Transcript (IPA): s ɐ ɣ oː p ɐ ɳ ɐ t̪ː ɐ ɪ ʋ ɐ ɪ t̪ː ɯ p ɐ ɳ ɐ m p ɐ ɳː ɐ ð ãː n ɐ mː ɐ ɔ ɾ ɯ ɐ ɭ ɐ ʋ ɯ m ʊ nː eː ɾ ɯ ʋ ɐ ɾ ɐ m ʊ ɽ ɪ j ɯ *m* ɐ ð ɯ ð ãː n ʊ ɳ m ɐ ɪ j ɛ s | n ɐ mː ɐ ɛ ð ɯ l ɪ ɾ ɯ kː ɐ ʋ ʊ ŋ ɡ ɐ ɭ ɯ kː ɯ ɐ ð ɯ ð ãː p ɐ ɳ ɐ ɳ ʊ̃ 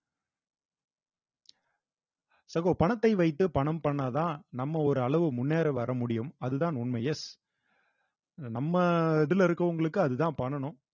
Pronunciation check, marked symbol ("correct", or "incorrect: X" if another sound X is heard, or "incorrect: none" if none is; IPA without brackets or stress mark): correct